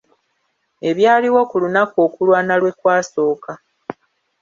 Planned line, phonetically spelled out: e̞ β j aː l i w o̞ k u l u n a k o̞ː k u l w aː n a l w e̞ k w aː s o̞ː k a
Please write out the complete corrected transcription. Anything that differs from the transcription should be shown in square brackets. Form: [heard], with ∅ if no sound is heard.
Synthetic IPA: e̞ β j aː l i w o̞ k u l u n a k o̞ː k u l w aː n a l w e̞ k w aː s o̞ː k a